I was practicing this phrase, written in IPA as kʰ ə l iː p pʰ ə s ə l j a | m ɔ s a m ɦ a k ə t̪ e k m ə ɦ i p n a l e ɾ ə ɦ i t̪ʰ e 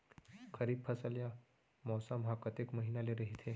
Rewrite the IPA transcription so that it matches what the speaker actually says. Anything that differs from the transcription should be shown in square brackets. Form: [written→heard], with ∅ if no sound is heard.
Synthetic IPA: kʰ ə [l→ɾ] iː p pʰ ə s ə l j a | m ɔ s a m ɦ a k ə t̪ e k m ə ɦ i [p→∅] n a l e ɾ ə ɦ i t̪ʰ e

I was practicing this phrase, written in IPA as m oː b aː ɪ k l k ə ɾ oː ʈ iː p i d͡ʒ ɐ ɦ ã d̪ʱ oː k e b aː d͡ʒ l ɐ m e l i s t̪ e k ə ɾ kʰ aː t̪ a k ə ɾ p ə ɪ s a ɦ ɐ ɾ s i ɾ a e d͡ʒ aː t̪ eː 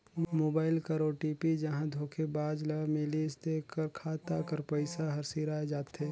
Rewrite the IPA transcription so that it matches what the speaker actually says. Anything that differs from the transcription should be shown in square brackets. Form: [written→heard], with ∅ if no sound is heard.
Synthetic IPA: m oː b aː ɪ [k→∅] l k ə ɾ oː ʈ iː p i d͡ʒ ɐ ɦ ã d̪ʱ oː [k→kʰ] e b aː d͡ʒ l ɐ m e l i s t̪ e k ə ɾ kʰ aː t̪ a k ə ɾ p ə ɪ s a ɦ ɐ ɾ s i ɾ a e d͡ʒ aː t̪ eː

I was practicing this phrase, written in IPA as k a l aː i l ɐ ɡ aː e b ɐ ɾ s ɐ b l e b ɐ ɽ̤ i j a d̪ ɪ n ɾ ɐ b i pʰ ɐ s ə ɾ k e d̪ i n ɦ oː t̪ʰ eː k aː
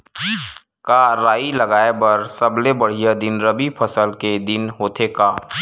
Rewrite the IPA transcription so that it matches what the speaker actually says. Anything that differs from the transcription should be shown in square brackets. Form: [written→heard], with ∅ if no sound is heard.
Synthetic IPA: k a [l→ɾ] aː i l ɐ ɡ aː e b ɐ ɾ s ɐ b l e b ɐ ɽ̤ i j a d̪ ɪ n ɾ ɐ b i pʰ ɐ s ə [ɾ→l] k e d̪ [i→ɪ] n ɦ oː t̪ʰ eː k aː

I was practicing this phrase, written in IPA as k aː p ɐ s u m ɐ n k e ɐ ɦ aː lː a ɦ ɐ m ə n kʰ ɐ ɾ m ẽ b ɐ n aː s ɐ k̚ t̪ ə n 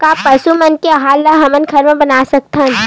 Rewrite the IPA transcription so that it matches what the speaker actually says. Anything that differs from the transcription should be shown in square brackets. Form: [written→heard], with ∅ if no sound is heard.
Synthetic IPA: k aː p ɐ s u m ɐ n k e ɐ ɦ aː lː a ɦ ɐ m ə n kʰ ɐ ɾ m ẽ b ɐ n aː s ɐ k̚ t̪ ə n

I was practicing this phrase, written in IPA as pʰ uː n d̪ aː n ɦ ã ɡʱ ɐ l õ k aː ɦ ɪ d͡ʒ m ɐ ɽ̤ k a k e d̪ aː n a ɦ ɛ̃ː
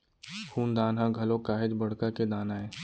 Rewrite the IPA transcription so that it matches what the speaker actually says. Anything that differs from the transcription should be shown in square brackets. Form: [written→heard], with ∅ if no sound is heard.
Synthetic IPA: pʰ uː n d̪ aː n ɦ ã ɡʱ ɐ l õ k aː ɦ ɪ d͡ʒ [m→b] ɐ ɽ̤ k a k e d̪ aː n a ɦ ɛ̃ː

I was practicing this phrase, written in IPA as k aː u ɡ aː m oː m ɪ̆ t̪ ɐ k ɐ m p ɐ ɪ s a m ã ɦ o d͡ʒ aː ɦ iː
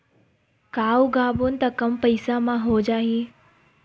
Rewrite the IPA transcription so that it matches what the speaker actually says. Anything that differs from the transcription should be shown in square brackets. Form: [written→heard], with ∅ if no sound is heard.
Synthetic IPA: k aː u ɡ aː [m→b] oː [m→n] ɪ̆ t̪ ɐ k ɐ m p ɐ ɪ s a m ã ɦ o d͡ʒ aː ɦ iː

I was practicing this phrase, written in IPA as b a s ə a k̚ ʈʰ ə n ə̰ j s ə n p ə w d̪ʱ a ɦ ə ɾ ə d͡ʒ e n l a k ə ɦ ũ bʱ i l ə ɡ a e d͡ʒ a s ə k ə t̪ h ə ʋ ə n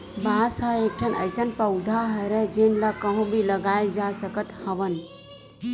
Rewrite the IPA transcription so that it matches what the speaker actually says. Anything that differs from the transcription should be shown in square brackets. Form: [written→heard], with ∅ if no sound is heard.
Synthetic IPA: b a s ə [a→e] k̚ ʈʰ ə n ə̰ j s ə n p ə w d̪ʱ a ɦ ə ɾ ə d͡ʒ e n l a k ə ɦ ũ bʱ i l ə ɡ a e d͡ʒ a s ə k ə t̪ h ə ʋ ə n

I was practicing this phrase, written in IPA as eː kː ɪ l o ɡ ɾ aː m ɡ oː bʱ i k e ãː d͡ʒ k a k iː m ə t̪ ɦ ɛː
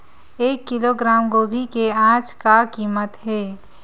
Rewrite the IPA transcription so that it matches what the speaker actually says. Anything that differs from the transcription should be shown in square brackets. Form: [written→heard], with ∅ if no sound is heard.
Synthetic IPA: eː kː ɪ l o ɡ ɾ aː m ɡ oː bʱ i k e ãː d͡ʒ k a k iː m ə t̪ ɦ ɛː

